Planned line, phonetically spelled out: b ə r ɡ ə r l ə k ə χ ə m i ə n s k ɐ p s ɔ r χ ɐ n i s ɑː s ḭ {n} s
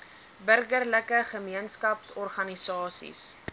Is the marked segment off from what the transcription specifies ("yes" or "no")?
yes